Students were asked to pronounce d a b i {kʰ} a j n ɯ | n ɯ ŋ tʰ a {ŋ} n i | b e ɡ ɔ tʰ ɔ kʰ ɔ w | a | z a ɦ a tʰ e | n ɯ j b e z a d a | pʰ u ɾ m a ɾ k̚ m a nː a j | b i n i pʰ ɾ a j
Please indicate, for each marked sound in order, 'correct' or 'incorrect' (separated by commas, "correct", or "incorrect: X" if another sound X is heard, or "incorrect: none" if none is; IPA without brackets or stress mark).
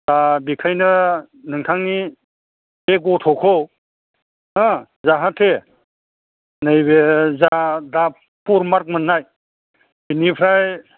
correct, correct